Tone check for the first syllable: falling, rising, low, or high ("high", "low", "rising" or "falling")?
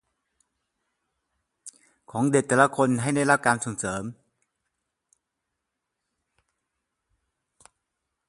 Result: rising